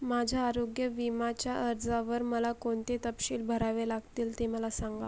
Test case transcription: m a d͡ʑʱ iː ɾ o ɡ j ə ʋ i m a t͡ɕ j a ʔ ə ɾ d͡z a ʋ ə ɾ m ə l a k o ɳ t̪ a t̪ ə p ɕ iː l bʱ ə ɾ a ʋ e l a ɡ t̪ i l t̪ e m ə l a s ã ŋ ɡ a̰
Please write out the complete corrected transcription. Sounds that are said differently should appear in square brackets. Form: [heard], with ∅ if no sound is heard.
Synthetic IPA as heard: m a d͡ʑʱ [aː] ɾ o ɡ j ə ʋ i m a t͡ɕ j a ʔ ə ɾ d͡z a ʋ ə ɾ m ə l a k o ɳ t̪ [e] t̪ ə p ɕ iː l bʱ ə ɾ a ʋ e l a ɡ t̪ [iː] l t̪ e m ə l a s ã ŋ ɡ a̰